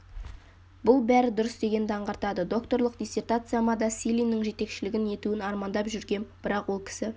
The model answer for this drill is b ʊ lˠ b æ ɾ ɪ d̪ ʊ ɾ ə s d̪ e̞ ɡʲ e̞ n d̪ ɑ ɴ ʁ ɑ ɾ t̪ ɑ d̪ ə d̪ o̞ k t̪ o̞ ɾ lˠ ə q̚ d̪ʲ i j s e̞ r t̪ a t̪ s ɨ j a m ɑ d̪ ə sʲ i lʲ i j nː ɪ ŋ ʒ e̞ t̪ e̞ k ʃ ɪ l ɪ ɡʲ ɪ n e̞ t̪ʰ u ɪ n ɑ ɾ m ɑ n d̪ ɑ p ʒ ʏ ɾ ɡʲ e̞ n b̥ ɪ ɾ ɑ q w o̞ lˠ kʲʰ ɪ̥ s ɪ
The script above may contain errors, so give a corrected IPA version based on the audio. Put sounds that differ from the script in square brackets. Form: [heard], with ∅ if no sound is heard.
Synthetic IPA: b ʊ lˠ b æ ɾ ɪ d̪ ʊ ɾ ə s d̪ e̞ ɡʲ e̞ n d̪ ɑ ɴ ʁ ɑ ɾ t̪ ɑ d̪ ə d̪ o̞ k t̪ o̞ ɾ lˠ ə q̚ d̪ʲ i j s e̞ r t̪ a t̪ s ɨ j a m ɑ d̪ [ɑ] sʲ i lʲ i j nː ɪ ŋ ʒ e̞ t̪ e̞ k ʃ ɪ l ɪ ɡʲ ɪ n e̞ [t̪] u ɪ n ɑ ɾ m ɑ n d̪ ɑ p ʒ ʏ ɾ ɡʲ e̞ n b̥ ɪ ɾ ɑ q w o̞ lˠ kʲʰ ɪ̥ s ɪ